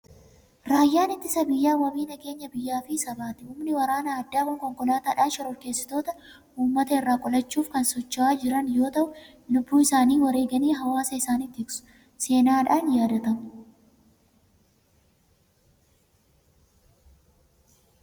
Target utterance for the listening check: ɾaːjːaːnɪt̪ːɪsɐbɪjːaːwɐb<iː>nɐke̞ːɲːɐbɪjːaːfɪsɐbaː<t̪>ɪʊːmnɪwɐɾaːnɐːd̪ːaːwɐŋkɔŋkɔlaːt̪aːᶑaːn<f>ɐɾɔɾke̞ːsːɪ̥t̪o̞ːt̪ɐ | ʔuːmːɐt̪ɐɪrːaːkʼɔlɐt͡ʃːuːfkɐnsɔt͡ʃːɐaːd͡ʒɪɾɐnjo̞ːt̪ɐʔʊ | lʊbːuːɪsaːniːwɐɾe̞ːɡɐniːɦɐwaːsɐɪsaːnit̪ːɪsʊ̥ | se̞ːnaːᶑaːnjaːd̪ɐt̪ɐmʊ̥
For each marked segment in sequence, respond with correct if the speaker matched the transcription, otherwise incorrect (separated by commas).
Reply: correct, correct, incorrect